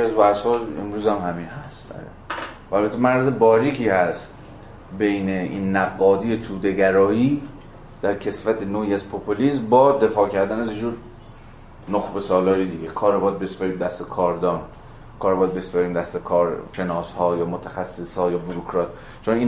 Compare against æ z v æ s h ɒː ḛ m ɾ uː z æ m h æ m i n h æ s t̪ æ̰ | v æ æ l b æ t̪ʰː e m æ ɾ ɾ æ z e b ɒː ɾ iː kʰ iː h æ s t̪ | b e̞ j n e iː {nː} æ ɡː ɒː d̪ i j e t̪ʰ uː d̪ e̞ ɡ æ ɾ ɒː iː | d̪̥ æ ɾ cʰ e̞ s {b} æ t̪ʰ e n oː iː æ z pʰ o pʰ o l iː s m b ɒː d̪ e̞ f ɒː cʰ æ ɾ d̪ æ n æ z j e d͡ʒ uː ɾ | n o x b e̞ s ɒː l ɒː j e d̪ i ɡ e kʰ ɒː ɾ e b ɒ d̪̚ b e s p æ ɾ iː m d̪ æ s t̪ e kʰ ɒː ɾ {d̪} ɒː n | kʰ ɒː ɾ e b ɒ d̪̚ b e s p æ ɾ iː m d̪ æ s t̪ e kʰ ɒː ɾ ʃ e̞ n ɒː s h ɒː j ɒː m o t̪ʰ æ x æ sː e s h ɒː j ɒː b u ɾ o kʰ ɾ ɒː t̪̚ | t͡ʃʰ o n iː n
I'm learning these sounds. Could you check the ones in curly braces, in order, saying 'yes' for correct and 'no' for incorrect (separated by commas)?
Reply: yes, no, yes